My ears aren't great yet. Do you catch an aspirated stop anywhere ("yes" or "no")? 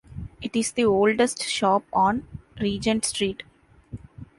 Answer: no